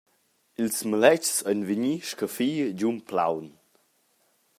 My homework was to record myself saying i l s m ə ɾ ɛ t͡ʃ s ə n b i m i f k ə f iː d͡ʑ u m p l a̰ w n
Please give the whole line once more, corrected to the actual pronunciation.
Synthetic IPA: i l s m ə l ɛ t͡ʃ s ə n v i ɲ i ʃ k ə f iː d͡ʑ u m p l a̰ w n